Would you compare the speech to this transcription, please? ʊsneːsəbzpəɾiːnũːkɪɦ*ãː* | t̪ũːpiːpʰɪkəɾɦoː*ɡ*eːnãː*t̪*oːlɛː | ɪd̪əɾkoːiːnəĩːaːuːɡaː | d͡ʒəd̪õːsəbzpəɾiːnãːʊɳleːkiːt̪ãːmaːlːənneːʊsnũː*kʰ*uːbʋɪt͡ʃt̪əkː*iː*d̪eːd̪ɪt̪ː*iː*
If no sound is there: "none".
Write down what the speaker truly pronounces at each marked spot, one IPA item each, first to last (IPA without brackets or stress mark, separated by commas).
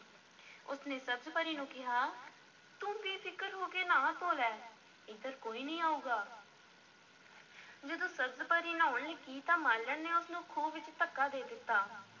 aː, k, t̪, kʰ, aː, aː